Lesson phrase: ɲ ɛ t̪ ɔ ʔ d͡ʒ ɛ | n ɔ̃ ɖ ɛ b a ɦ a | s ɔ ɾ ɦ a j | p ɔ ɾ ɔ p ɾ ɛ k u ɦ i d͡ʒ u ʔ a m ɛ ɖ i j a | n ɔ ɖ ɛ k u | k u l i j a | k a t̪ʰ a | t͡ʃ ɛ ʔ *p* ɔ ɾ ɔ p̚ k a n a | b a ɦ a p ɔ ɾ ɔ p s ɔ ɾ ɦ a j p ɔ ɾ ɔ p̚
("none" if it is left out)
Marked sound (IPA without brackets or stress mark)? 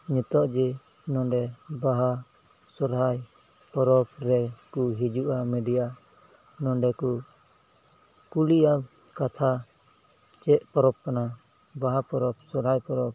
p